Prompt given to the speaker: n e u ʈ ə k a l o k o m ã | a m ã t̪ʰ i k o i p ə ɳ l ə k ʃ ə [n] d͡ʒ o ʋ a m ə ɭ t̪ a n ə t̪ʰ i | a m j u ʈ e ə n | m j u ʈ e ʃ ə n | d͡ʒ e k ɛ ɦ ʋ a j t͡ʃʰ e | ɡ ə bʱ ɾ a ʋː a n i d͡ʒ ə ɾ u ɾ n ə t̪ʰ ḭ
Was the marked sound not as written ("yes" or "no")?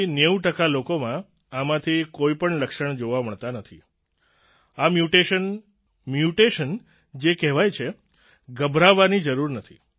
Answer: yes